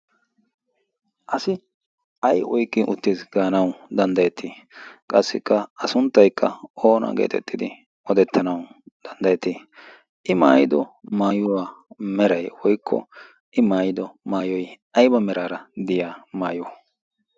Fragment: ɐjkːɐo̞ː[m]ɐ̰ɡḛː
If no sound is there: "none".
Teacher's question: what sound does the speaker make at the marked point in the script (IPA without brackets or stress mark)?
n